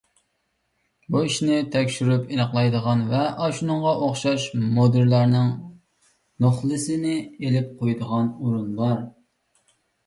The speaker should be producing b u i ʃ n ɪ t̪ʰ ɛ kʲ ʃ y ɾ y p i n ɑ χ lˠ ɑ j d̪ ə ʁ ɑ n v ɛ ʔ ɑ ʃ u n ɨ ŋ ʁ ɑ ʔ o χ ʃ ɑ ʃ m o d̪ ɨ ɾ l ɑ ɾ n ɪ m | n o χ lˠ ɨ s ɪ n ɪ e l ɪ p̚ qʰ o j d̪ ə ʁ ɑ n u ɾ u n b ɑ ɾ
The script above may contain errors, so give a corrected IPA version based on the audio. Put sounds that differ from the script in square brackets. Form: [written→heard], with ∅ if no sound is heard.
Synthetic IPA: b u i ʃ n ɪ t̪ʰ ɛ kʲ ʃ y ɾ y p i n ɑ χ lˠ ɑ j d̪ ə ʁ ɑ n v ɛ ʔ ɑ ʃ u n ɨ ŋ ʁ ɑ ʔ o χ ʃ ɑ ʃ m o d̪ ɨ ɾ l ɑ ɾ n ɪ [m→ŋ] | n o χ lˠ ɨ s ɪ n ɪ e l ɪ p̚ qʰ o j d̪ ə ʁ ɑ n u ɾ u n b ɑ ɾ